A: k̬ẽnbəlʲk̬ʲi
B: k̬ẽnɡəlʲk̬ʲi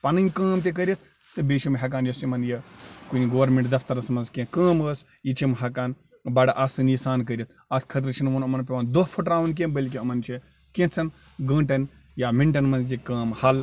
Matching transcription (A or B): A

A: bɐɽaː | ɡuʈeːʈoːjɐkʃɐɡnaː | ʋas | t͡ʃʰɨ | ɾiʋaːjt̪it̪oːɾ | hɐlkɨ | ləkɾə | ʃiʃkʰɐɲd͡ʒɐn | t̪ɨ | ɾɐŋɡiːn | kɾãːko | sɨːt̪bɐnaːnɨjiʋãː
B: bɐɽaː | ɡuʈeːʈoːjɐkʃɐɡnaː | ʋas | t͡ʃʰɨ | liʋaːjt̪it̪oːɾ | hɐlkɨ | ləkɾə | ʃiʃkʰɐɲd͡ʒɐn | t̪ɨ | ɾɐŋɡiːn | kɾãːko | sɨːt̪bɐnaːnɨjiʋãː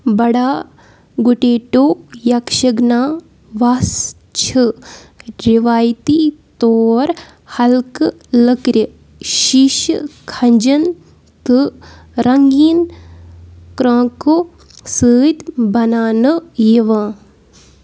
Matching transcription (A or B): A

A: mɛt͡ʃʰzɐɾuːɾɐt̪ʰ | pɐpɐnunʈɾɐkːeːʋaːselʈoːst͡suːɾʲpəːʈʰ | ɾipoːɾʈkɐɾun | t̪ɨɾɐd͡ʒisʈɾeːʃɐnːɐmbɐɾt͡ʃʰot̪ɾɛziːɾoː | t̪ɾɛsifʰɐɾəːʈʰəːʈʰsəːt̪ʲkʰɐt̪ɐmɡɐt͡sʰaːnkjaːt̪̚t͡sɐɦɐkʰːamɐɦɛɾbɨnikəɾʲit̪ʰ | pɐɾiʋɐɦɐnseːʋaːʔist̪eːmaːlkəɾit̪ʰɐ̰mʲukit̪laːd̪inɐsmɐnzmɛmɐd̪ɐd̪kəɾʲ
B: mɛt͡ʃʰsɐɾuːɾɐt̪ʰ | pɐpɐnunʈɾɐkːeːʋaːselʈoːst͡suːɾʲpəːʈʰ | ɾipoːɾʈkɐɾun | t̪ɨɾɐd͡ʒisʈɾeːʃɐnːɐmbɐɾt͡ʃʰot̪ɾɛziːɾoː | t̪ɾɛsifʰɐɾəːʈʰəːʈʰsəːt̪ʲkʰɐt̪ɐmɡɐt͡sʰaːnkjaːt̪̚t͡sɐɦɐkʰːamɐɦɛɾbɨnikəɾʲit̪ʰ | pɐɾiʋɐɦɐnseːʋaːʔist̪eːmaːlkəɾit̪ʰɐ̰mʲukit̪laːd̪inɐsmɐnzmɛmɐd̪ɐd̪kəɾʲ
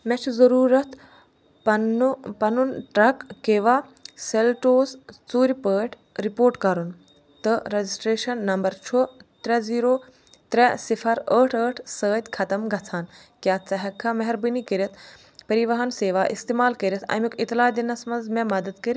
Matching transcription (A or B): A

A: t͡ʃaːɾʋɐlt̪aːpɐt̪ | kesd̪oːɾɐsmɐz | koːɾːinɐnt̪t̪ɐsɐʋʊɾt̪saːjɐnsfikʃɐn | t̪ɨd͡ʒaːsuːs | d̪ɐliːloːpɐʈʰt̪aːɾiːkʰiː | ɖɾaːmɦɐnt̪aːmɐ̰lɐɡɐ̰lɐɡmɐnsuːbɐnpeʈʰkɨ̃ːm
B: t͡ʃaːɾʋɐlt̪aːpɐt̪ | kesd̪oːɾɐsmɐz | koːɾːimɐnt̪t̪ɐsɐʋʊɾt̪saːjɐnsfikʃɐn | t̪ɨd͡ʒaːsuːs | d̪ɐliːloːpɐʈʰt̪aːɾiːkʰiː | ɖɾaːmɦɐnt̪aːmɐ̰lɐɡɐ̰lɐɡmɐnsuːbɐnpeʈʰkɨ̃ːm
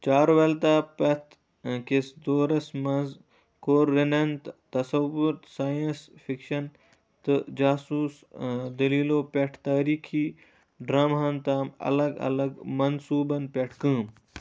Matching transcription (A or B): A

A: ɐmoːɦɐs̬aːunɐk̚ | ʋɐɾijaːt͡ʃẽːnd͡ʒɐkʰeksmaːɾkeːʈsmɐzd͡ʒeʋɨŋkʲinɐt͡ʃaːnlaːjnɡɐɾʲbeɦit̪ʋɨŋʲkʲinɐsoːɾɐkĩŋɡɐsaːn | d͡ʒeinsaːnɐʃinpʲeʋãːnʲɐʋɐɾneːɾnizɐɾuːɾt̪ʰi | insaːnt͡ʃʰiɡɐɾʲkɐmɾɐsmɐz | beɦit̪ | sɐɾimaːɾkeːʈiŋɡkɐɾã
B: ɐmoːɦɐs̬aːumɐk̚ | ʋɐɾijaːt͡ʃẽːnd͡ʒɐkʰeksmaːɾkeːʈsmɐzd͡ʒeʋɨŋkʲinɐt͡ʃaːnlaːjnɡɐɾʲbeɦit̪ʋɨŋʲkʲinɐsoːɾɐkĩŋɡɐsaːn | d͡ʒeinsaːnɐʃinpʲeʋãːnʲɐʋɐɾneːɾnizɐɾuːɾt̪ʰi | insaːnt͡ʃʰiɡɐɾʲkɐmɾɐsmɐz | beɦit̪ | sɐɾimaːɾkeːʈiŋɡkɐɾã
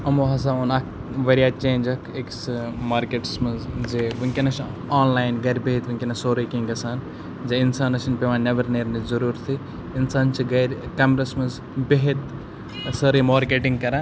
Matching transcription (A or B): A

